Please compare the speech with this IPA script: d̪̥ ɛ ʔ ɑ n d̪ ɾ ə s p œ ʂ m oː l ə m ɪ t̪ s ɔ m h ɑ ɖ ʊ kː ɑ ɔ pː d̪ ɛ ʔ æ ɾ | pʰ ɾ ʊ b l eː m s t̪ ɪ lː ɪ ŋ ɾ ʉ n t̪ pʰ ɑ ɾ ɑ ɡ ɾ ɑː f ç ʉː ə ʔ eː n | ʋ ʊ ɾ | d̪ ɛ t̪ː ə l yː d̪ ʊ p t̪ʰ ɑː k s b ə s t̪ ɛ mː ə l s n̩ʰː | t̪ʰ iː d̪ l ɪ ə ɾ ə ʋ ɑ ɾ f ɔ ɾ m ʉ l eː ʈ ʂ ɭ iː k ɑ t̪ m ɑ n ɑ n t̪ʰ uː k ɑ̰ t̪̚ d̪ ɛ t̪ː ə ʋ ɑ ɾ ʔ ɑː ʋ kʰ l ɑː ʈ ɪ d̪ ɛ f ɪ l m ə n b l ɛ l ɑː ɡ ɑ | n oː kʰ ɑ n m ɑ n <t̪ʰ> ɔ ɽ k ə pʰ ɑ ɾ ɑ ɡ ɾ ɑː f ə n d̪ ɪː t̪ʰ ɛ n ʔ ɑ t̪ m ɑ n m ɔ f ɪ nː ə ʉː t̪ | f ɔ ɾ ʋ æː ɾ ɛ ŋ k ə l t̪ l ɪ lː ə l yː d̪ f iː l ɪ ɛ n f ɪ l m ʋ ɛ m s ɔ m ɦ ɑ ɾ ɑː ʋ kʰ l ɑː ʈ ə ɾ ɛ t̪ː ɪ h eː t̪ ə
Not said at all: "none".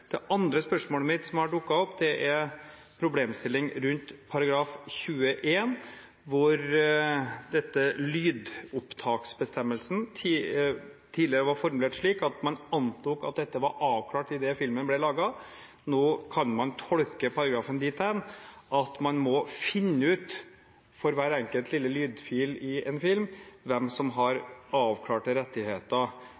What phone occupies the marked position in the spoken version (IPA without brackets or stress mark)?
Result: t̪ʰ